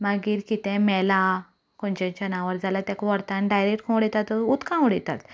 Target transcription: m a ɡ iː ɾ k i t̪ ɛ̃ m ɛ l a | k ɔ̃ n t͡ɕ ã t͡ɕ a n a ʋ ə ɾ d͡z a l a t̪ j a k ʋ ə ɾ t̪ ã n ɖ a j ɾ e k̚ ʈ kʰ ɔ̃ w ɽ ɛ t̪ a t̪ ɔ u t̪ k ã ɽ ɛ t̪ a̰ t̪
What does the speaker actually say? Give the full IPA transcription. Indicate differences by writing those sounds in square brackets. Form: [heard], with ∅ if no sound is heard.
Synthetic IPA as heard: m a ɡ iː ɾ k i t̪ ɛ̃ m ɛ l a | k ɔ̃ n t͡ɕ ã t͡ɕ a n a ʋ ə ɾ d͡z a l a t̪ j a k ʋ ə ɾ t̪ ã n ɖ a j ɾ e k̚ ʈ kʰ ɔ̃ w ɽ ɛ t̪ a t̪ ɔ u t̪ k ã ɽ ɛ t̪ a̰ t̪